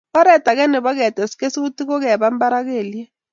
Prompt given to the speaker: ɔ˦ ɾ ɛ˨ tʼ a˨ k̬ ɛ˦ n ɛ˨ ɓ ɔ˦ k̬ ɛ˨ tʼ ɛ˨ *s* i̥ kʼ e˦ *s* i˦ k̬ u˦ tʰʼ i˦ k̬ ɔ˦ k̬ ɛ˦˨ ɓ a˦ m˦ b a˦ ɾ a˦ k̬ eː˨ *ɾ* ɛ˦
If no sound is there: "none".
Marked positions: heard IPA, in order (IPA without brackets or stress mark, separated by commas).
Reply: s, s, l